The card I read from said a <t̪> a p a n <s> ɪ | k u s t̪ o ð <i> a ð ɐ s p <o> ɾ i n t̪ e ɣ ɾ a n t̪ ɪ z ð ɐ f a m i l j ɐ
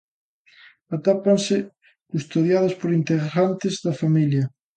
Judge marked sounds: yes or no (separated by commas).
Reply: yes, yes, no, yes